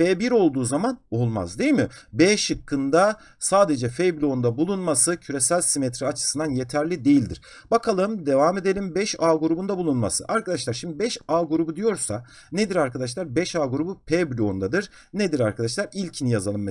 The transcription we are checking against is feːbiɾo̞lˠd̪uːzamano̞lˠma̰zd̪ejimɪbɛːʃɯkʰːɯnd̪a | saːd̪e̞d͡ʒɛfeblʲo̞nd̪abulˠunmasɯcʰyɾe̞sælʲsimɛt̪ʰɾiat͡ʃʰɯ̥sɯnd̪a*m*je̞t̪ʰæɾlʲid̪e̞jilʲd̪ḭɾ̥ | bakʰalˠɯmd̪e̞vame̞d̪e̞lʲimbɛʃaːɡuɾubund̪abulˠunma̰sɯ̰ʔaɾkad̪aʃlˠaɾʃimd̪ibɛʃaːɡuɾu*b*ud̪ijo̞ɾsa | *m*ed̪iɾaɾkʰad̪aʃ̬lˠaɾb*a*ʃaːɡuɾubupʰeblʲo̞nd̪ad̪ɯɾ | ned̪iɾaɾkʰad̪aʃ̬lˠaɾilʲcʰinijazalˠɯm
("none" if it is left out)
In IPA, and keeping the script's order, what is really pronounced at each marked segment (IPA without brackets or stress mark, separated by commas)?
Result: n, b, n, ɛ